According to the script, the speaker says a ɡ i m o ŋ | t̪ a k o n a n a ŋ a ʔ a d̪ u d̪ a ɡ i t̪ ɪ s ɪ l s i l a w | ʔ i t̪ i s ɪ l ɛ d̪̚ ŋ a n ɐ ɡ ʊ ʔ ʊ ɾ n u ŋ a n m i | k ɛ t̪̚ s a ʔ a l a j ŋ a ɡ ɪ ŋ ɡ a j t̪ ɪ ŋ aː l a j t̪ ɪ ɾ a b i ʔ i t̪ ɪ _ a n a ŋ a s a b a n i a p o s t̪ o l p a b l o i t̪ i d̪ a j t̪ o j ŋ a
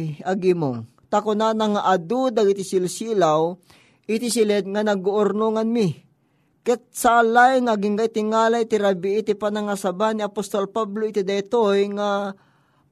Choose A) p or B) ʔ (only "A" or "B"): A